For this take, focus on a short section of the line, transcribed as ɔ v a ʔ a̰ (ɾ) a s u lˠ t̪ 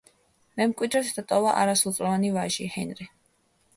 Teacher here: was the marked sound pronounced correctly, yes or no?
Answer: yes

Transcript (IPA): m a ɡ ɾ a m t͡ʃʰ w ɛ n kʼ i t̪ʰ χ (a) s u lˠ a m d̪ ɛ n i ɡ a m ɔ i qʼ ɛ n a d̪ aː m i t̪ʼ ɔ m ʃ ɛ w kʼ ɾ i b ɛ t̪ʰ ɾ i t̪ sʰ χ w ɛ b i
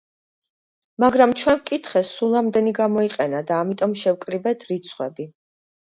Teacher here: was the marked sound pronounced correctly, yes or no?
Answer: no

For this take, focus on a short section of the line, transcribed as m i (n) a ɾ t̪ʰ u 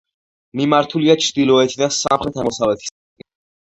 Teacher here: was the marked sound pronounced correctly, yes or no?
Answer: no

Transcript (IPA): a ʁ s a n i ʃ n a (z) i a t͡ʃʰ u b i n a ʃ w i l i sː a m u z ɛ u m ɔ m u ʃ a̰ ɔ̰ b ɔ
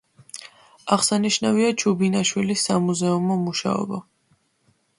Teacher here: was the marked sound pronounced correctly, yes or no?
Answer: no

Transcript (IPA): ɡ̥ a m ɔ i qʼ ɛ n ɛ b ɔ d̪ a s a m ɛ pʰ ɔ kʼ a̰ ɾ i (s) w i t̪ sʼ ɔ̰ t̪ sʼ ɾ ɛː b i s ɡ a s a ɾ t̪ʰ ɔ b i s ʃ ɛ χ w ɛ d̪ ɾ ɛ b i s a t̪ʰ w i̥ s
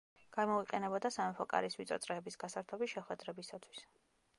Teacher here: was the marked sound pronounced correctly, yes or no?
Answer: yes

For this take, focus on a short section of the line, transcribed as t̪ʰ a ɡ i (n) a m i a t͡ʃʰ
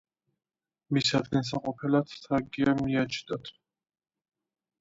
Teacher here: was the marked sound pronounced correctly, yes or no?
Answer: no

